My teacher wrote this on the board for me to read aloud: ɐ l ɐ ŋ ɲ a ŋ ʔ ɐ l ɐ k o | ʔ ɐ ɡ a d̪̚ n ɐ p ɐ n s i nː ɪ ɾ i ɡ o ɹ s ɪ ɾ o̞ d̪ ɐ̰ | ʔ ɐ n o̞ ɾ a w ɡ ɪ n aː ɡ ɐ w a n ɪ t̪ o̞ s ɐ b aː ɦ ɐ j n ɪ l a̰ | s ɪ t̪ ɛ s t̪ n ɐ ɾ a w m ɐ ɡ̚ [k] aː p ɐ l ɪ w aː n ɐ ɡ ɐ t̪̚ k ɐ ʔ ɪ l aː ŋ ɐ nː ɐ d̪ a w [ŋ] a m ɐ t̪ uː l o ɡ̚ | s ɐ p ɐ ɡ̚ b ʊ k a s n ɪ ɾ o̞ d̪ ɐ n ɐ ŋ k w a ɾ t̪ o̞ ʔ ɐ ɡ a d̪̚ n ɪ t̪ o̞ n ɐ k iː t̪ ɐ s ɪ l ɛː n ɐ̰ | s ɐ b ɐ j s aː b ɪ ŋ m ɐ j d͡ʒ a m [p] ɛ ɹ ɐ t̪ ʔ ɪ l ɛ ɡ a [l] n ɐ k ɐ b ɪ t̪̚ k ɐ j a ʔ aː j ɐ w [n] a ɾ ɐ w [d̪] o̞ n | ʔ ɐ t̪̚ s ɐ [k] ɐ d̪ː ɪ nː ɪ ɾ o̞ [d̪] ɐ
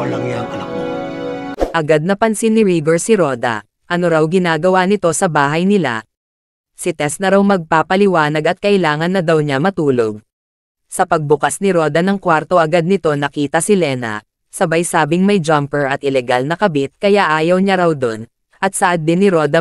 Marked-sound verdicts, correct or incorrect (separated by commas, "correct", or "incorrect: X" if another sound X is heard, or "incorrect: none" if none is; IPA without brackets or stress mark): incorrect: p, incorrect: ɲ, correct, correct, incorrect: ɲ, correct, incorrect: ʔ, correct